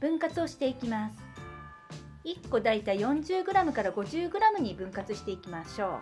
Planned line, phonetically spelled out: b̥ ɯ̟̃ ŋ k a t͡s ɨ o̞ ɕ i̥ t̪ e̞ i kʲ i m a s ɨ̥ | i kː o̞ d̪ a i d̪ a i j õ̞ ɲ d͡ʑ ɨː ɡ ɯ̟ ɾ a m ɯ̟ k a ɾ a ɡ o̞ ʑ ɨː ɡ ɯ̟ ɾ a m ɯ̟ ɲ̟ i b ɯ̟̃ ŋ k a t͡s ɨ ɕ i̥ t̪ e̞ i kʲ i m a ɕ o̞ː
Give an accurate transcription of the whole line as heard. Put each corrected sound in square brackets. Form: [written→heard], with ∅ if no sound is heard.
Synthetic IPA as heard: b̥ ɯ̟̃ ŋ k a t͡s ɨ o̞ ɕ i̥ t̪ e̞ i kʲ i m a s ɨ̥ | i kː o̞ d̪ a i [d̪→t̪] a i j õ̞ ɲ d͡ʑ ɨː ɡ ɯ̟ ɾ a m ɯ̟ k a ɾ a ɡ o̞ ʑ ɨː ɡ ɯ̟ ɾ a m ɯ̟ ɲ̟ i b ɯ̟̃ ŋ k a t͡s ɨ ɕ i̥ t̪ e̞ i kʲ i m a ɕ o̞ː

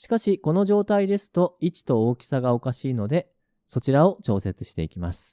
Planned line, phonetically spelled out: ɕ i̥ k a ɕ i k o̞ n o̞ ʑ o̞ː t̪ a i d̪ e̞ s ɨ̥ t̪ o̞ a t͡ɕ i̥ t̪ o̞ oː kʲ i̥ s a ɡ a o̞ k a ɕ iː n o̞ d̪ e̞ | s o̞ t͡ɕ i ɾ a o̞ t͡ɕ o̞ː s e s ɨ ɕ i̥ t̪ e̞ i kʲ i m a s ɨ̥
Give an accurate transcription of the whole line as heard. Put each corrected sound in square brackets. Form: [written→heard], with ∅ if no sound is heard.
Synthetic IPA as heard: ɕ i̥ k a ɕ i k o̞ n o̞ ʑ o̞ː t̪ a i d̪ e̞ s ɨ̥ t̪ o̞ [a→i] t͡ɕ i̥ t̪ o̞ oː kʲ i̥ s a ɡ a o̞ k a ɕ iː n o̞ d̪ e̞ | s o̞ t͡ɕ i ɾ a o̞ t͡ɕ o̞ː s e [s→t͡s] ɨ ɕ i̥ t̪ e̞ i kʲ i m a s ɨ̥

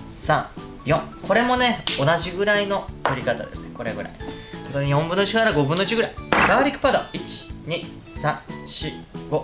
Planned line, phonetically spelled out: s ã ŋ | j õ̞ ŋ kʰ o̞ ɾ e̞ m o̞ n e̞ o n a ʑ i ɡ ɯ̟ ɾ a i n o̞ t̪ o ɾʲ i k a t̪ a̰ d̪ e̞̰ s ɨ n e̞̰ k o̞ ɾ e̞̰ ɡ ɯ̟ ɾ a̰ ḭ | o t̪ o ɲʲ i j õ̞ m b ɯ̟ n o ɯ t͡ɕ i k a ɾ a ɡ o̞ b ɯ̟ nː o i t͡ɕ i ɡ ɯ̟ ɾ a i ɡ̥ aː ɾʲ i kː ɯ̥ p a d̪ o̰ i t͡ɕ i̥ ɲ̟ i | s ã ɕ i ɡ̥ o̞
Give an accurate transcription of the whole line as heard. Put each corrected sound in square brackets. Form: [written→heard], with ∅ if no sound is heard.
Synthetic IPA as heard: s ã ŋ | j õ̞ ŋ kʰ o̞ ɾ e̞ m o̞ n e̞ o n a ʑ i ɡ ɯ̟ ɾ a i n o̞ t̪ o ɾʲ i k a t̪ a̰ d̪ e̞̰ s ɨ n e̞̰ k o̞ ɾ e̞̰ ɡ ɯ̟ ɾ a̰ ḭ | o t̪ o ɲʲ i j õ̞ m b ɯ̟ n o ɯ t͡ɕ i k a ɾ a ɡ o̞ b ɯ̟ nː o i t͡ɕ i ɡ ɯ̟ ɾ a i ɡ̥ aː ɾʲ i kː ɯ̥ p a d̪ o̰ i t͡ɕ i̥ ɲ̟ i | s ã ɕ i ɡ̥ o̞

